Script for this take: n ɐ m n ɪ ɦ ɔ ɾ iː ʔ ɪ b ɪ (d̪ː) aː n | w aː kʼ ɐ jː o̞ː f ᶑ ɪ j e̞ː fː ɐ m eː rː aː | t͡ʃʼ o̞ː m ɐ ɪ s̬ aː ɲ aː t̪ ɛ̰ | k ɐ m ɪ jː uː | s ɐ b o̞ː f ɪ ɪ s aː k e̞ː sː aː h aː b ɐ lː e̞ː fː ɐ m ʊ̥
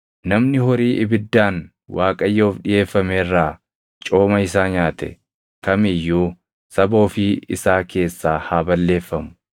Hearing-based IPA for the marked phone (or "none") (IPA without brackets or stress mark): d̪ː